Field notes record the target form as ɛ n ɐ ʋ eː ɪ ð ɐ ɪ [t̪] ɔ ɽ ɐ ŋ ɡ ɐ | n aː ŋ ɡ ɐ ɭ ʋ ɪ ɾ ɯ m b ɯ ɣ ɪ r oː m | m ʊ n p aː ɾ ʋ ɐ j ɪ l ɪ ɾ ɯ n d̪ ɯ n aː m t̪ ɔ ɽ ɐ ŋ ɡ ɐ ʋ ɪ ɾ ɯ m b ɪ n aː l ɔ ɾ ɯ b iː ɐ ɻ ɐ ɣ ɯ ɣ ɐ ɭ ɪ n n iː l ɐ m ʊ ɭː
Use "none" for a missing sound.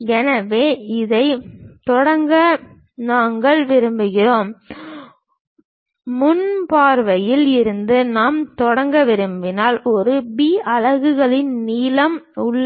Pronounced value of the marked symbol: t̪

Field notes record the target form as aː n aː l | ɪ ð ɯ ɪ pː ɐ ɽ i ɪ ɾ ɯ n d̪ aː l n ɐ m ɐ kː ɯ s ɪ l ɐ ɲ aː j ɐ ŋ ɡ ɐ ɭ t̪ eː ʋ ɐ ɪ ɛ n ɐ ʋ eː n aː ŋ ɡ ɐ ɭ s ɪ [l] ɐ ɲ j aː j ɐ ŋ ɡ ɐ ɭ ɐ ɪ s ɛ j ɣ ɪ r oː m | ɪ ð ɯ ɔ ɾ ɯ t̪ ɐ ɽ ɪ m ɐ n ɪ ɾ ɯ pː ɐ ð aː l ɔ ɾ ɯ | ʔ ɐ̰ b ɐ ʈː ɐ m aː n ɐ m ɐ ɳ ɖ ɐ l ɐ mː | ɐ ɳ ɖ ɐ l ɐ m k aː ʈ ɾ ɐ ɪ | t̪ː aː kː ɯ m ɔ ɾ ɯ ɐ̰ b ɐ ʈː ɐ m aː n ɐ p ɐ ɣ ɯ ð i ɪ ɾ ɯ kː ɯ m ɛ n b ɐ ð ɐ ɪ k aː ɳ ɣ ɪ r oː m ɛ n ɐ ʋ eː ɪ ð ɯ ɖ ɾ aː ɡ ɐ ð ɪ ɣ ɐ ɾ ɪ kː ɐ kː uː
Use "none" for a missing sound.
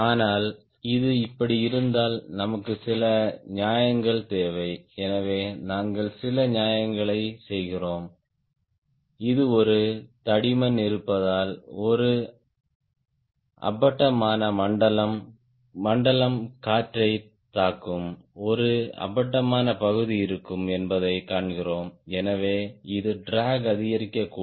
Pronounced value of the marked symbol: l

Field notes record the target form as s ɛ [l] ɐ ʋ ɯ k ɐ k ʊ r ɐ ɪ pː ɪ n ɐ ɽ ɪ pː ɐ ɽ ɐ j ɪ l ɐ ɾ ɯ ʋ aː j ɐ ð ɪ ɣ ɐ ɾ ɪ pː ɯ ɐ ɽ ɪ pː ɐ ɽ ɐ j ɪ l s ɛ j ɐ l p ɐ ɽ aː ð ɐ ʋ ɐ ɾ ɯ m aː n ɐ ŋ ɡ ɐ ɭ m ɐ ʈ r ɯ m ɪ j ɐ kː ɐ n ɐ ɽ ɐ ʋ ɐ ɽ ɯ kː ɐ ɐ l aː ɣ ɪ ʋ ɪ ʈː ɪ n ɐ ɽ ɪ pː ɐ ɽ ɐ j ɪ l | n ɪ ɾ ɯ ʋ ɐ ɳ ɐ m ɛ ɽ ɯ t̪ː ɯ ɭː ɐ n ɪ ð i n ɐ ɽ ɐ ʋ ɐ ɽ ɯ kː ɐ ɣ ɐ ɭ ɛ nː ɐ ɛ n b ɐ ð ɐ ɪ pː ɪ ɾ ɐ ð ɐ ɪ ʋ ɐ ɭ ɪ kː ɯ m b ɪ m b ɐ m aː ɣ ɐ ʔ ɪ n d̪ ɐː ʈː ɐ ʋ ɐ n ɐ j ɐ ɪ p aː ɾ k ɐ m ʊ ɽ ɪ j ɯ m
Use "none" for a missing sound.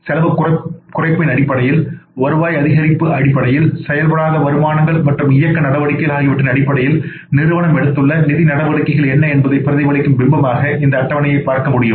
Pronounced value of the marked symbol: l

